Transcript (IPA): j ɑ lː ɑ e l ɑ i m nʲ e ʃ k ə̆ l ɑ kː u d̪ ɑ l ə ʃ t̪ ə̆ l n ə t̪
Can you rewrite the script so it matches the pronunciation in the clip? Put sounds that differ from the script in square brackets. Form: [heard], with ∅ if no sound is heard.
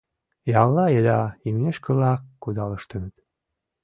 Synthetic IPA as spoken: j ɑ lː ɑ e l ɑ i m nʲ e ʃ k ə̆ l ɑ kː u d̪ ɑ l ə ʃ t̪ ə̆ [∅] n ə t̪